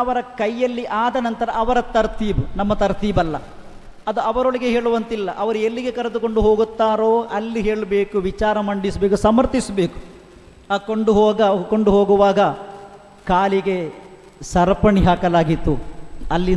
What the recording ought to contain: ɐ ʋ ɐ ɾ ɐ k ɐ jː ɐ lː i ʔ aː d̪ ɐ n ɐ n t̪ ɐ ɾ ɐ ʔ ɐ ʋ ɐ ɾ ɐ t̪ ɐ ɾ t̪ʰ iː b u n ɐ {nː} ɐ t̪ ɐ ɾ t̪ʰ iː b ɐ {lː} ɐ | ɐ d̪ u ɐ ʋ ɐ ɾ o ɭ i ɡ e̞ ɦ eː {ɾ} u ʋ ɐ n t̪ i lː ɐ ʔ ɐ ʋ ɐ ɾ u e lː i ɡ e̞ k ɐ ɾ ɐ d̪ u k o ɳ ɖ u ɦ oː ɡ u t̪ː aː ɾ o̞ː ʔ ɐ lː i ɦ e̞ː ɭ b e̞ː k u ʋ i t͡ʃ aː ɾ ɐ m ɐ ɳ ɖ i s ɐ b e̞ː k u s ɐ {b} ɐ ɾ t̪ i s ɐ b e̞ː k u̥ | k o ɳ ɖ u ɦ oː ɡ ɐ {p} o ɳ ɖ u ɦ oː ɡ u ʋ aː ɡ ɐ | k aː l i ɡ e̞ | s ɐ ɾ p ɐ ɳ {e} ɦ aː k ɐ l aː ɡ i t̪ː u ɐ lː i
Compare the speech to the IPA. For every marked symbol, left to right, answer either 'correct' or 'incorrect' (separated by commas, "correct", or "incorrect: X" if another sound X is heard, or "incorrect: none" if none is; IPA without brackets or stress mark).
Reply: incorrect: mː, correct, incorrect: ɭ, incorrect: m, incorrect: k, incorrect: i